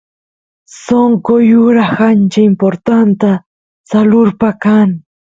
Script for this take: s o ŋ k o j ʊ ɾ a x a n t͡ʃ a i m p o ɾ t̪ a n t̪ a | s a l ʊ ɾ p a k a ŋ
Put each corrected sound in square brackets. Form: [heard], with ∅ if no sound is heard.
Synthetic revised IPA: s o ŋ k o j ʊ ɾ a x a n t͡ʃ a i m p o ɾ t̪ a n t̪ a | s a l ʊ ɾ p a k a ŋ

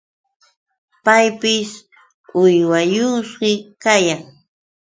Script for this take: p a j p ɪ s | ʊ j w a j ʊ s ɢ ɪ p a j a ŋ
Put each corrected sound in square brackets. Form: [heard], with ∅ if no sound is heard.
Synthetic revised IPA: p a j p ɪ s | ʊ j w a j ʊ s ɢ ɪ [k] a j a ŋ

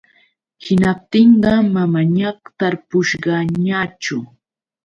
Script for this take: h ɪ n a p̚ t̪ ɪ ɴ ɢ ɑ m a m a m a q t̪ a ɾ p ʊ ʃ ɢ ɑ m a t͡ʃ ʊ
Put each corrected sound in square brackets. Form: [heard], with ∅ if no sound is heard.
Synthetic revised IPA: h ɪ n a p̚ t̪ ɪ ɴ ɢ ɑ m a m a [ɲ] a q t̪ a ɾ p ʊ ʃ ɢ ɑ [ɲ] a t͡ʃ ʊ

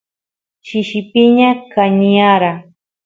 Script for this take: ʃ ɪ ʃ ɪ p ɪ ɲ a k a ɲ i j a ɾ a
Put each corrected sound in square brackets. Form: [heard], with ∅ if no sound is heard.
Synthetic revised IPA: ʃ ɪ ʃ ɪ p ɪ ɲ a k a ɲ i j a ɾ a

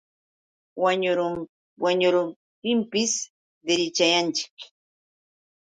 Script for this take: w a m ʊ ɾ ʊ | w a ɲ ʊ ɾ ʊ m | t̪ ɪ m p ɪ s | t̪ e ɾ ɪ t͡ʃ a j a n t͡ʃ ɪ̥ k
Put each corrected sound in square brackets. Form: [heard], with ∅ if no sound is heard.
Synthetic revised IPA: w a [ɲ] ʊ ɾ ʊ | w a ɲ ʊ ɾ ʊ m | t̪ ɪ m p ɪ s | [d̪] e ɾ ɪ t͡ʃ a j a n t͡ʃ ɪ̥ k

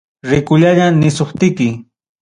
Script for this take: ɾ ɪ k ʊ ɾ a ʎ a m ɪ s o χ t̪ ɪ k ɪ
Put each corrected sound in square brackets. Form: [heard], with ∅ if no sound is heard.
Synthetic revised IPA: ɾ ɪ k ʊ [ʎ] a ʎ a [n] ɪ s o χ t̪ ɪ k ɪ

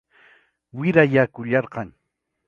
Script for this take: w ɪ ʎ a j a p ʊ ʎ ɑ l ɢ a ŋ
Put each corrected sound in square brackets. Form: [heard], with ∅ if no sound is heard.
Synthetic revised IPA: w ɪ [ɾ] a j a [k] ʊ ʎ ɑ [ɾ] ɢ [ɑ] ŋ

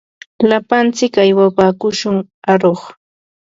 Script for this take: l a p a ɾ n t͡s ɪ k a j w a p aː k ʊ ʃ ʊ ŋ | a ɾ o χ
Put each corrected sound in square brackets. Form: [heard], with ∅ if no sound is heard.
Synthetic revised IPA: l a p a [∅] n t͡s ɪ k a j w a p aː k ʊ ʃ ʊ ŋ | a ɾ o χ

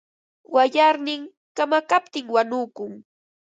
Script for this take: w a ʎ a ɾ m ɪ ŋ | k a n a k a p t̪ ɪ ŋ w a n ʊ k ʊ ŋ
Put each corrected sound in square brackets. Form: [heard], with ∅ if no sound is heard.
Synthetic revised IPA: w a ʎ a ɾ [n] ɪ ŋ | k a [m] a k a p t̪ ɪ ŋ w a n ʊ k ʊ ŋ

